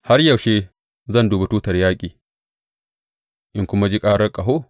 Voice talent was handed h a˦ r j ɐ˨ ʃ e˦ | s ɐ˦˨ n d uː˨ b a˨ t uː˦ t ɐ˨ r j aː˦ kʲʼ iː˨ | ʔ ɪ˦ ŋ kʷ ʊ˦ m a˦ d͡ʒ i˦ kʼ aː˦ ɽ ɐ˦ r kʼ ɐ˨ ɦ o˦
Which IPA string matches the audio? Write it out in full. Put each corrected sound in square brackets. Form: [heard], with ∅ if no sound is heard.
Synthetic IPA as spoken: h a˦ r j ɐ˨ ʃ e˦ | [z] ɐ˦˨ n d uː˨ b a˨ t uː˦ t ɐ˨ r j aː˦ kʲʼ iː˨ | ʔ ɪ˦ ŋ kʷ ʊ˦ m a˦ d͡ʒ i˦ kʼ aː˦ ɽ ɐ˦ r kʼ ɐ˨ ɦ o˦

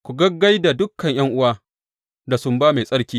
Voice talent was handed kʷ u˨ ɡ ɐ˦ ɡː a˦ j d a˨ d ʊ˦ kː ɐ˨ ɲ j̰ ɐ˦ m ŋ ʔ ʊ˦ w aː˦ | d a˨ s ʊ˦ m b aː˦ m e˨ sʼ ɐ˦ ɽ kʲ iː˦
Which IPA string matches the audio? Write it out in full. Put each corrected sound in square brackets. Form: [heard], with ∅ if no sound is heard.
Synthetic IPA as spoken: kʷ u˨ ɡ ɐ˦ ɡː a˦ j d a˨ d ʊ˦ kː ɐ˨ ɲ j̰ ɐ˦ [∅] ŋ ʔ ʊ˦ w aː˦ | d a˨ s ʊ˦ m b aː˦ m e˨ sʼ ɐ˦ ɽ kʲ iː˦

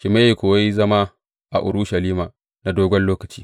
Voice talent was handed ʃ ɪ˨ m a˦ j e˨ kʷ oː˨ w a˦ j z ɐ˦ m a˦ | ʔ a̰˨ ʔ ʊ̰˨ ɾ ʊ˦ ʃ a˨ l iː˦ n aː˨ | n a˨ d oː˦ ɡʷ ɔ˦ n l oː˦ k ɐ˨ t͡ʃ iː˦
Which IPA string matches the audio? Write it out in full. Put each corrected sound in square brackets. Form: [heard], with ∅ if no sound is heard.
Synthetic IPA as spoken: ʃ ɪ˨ m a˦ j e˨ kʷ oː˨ w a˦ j z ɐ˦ m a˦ | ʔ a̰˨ ʔ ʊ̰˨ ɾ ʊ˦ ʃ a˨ l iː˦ [m] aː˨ | n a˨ d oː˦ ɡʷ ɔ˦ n l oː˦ k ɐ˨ t͡ʃ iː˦

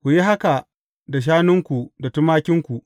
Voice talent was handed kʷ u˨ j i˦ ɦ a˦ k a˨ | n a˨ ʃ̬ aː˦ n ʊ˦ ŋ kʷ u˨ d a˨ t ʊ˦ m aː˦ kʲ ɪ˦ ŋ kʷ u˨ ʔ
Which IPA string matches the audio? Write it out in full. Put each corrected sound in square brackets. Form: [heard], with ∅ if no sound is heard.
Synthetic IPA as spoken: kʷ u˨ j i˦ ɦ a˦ k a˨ | [d] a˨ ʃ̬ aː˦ n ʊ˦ ŋ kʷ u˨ d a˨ t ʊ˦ m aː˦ kʲ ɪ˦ ŋ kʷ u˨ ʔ

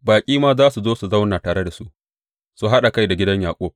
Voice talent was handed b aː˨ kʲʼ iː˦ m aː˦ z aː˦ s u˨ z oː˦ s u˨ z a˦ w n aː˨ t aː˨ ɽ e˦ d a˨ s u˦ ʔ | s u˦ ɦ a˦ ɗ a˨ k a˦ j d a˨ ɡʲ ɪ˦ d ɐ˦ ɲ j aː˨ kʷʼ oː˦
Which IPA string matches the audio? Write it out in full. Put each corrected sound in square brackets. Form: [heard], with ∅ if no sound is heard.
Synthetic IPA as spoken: b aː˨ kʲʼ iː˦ m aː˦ z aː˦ s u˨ z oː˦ s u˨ z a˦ w n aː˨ t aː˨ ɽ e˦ d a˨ s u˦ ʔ | s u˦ ɦ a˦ ɗ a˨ k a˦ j d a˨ ɡʲ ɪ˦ d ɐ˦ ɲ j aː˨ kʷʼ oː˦

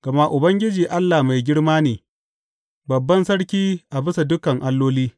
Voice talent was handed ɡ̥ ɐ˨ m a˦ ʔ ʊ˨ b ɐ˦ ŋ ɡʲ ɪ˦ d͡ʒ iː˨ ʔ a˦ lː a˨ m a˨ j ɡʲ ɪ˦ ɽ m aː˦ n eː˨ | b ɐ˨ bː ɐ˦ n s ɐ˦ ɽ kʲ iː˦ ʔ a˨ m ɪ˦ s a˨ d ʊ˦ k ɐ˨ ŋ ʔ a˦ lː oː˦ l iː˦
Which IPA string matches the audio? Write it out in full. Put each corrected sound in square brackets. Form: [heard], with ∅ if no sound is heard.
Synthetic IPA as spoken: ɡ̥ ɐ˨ m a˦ ʔ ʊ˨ b ɐ˦ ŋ ɡʲ ɪ˦ d͡ʒ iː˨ ʔ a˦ lː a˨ m a˨ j ɡʲ ɪ˦ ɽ m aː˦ n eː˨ | b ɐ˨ bː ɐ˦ n s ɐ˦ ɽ kʲ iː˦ ʔ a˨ [b] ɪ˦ s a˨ d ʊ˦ k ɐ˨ ŋ ʔ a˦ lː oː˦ l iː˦

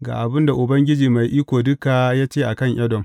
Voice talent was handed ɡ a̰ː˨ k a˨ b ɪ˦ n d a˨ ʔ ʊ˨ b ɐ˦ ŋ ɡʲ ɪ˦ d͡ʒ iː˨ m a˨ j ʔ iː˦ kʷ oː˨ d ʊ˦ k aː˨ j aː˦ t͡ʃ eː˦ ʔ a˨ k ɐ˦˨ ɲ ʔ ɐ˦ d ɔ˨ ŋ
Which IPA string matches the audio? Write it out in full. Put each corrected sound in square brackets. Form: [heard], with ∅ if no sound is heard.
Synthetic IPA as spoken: ɡ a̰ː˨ [ʔ] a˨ b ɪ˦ n d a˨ ʔ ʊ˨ b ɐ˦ ŋ ɡʲ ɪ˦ d͡ʒ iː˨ m a˨ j ʔ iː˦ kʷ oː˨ d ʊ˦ k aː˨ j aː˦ t͡ʃ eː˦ ʔ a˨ k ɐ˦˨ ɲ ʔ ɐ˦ d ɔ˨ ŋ

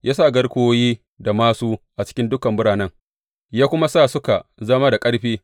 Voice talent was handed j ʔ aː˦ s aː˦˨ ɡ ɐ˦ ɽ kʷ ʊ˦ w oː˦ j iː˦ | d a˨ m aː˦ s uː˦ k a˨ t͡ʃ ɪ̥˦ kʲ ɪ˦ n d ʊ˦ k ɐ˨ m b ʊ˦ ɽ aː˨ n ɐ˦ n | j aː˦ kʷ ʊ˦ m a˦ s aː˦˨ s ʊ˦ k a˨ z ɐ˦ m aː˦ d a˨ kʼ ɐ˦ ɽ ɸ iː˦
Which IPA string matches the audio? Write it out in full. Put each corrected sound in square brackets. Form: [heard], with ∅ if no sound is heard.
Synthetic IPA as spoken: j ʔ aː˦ s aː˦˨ ɡ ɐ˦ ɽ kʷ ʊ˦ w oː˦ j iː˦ | d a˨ m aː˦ s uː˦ [ʔ] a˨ t͡ʃ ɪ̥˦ kʲ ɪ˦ n d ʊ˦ k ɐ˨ m b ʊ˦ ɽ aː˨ n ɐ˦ [ŋ] | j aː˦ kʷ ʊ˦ m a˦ s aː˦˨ s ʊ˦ k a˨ z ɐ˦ m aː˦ d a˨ kʼ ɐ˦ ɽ ɸ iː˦

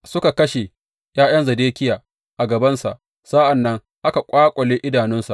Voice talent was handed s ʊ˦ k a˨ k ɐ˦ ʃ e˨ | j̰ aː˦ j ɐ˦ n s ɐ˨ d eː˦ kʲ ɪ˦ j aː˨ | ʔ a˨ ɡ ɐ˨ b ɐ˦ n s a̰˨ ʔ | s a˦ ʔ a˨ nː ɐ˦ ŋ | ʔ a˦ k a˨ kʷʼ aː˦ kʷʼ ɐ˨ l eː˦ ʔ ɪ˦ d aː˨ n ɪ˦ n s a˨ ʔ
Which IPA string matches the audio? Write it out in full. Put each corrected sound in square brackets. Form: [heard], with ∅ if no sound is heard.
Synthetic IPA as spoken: s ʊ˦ k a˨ k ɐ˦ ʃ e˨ | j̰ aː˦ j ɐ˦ n [z] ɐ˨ d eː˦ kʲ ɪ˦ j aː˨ | ʔ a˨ ɡ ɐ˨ b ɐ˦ n s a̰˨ ʔ | s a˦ ʔ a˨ nː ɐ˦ ŋ | ʔ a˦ k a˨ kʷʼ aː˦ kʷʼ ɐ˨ l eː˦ ʔ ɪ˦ d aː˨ n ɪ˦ n s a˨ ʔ

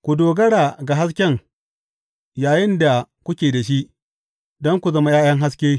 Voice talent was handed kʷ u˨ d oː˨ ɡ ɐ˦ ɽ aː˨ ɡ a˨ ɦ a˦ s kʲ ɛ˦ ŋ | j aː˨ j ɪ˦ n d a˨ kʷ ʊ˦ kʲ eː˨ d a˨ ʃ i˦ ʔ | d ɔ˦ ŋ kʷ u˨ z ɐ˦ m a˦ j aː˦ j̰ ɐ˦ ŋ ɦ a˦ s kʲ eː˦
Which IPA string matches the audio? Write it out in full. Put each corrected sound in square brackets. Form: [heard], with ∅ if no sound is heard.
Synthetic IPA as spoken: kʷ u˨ d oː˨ ɡ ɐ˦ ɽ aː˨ ɡ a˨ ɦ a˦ s kʲ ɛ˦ ŋ | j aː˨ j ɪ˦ n d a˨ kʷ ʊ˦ kʲ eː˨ d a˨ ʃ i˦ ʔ | d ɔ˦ ŋ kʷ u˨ z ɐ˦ m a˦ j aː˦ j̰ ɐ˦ ŋ ɦ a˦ s kʲ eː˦

